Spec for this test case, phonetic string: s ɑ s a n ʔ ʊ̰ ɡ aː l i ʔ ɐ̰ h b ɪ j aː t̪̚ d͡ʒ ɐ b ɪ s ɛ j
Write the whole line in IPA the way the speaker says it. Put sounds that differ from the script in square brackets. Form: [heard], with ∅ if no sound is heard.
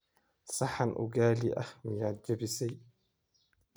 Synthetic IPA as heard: s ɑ [ħ] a n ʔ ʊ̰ ɡ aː l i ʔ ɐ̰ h [m] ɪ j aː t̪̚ d͡ʒ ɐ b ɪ s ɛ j